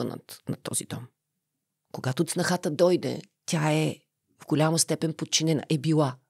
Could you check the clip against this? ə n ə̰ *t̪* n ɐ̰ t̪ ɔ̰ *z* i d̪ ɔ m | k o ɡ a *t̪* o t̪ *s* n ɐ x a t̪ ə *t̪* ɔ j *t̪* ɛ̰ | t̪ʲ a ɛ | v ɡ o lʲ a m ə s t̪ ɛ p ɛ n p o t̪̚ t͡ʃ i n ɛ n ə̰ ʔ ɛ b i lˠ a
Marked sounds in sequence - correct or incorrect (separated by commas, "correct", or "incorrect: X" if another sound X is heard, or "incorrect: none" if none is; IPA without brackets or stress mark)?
correct, correct, correct, correct, incorrect: d̪, incorrect: d̪